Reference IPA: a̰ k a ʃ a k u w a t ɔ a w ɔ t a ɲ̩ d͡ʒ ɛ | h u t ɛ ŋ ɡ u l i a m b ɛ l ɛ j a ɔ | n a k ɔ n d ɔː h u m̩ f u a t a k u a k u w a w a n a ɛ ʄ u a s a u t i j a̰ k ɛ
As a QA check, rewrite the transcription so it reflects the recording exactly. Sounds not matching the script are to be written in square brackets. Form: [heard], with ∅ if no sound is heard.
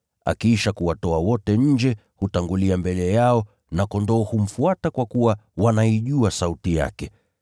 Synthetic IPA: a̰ k [i] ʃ a k u w a t ɔ a w ɔ t [ɛ] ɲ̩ d͡ʒ ɛ | h u t [a] ŋ ɡ u l i a m b ɛ l ɛ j a ɔ | n a k ɔ n d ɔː h u m̩ f u a t a k [w] a k u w a w a n a [i] ʄ u a s a u t i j a̰ k ɛ